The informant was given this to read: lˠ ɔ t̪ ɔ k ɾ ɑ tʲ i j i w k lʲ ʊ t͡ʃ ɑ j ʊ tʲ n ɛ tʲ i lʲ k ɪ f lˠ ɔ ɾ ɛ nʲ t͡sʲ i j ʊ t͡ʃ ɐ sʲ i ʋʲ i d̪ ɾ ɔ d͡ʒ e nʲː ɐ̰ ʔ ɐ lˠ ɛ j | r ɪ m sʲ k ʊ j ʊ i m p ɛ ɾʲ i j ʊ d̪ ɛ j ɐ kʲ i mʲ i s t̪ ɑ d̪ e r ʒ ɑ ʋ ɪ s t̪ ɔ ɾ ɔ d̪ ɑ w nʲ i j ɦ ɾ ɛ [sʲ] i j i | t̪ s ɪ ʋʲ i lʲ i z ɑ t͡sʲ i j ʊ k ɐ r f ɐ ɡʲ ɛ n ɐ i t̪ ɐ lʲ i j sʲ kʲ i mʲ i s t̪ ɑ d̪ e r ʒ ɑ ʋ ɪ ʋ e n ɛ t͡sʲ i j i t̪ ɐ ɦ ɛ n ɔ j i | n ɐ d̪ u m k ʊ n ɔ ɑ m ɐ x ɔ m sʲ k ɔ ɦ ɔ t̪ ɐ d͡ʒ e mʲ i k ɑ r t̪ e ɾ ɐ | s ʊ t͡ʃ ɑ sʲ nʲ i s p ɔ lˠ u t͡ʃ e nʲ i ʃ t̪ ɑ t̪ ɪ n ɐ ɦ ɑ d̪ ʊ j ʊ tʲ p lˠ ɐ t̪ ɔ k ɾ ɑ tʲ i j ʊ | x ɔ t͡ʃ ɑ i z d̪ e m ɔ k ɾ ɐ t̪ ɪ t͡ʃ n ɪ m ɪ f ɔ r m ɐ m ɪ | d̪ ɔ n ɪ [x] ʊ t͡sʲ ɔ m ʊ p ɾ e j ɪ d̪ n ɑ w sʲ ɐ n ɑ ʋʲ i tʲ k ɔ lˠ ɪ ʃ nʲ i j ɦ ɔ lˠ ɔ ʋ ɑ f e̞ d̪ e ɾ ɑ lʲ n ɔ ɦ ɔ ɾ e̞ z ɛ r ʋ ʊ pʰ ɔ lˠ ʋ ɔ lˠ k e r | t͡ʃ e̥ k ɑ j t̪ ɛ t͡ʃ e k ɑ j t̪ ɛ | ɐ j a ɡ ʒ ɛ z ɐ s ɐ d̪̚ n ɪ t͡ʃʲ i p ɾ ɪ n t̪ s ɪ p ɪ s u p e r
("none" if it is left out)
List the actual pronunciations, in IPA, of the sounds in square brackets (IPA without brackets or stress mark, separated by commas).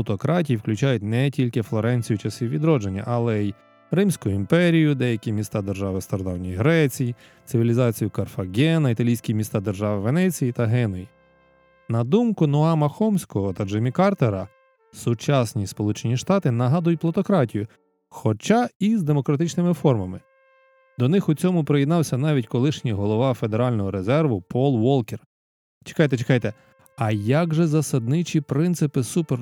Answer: t͡sʲ, x